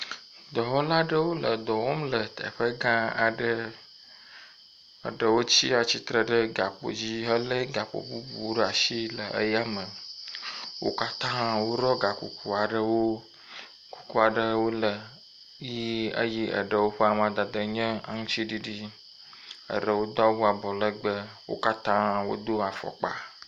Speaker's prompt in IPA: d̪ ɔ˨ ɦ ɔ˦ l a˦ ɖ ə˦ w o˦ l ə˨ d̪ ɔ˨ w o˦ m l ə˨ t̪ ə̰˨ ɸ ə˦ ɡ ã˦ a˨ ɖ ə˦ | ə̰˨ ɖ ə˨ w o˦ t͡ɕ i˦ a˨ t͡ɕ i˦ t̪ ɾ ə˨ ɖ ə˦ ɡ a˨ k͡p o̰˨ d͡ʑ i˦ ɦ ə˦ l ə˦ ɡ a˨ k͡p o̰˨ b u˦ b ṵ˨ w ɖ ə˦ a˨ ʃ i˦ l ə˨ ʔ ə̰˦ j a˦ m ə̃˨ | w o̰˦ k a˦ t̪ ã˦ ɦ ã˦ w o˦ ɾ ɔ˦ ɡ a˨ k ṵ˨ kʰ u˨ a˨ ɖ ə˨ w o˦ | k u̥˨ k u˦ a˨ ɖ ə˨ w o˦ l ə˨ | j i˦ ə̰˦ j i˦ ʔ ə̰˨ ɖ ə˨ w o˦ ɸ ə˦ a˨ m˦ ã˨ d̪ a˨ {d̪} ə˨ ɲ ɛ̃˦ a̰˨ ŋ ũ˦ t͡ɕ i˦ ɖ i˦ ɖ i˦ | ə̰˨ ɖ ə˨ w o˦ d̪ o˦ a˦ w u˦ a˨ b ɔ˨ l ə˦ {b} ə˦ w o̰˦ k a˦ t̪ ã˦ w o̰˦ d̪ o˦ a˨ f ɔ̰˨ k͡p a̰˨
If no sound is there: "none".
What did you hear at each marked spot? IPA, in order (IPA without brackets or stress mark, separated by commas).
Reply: d̪, ɡ͡b